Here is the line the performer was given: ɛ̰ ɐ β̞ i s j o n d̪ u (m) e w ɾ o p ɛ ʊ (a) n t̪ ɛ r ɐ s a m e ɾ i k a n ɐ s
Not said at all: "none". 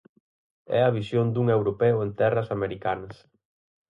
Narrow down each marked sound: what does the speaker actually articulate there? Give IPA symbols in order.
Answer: ŋ, e

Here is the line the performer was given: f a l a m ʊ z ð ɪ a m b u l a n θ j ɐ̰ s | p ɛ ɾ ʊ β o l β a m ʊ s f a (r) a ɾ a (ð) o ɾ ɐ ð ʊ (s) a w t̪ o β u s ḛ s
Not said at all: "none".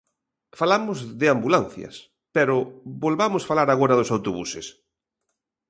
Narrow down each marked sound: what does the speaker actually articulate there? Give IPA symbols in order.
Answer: l, ɣ, s

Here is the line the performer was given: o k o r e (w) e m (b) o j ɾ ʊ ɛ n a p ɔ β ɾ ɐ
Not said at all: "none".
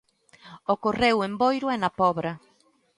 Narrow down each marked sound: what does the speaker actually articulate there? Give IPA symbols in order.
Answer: w, b

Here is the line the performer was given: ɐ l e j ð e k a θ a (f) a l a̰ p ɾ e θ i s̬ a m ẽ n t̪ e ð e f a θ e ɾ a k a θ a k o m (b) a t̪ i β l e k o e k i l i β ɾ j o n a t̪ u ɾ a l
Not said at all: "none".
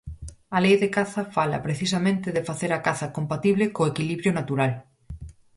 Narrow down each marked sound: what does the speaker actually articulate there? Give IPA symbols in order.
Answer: f, p

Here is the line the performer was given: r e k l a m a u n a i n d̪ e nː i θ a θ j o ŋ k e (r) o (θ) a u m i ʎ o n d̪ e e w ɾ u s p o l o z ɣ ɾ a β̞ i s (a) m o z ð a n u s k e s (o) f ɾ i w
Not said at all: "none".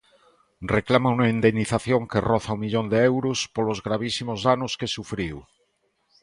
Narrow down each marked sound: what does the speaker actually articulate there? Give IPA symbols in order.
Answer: r, θ, i, u

